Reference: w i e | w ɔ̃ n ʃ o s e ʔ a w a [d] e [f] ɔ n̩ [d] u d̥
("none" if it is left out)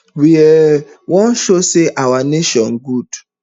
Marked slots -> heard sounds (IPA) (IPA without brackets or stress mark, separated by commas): n, ʃ, ɡ